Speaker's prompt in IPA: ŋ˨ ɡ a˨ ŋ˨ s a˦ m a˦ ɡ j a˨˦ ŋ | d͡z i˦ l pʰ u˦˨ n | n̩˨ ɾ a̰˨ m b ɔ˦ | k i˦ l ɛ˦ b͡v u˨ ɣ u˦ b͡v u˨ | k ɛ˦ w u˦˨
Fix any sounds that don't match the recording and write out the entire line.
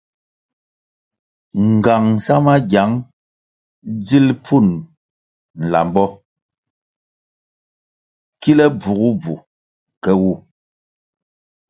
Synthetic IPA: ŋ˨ ɡ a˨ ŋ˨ s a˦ m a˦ ɡ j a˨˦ ŋ | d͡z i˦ l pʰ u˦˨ n | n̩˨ l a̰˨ m b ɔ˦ | k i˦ l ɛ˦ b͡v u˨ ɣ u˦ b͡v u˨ | k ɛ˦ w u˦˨